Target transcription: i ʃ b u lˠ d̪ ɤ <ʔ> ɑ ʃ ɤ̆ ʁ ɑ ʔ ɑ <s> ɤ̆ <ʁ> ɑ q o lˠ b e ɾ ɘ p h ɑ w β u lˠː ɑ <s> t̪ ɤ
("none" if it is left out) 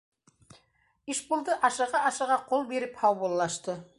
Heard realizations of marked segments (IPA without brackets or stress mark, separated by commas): ʔ, ʃ, ʁ, ʃ